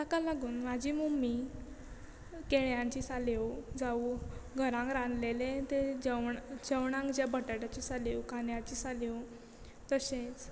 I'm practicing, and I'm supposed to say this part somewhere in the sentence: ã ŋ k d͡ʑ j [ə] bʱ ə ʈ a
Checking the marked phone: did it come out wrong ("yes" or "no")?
yes